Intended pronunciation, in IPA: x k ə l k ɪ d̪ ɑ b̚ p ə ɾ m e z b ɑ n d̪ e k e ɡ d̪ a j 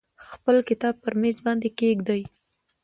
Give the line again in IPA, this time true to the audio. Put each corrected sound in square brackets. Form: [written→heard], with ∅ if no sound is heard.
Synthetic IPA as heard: x [k→p] ə l k ɪ [d̪→t̪] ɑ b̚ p ə ɾ m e z b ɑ n d̪ e k e ɡ d̪ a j

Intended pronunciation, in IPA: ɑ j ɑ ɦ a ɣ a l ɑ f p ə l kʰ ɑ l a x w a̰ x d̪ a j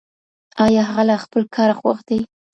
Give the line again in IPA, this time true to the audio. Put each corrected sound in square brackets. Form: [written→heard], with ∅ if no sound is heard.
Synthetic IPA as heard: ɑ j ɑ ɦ a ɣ a l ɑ [f→x] p ə l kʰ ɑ [l→ɾ] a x w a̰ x d̪ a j

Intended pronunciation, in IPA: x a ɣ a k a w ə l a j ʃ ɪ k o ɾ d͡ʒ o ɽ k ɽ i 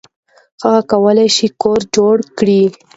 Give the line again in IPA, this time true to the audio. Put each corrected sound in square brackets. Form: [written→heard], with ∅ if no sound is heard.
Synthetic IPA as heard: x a ɣ a k a w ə l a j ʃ [ɪ→i] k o ɾ d͡ʒ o ɽ k ɽ i

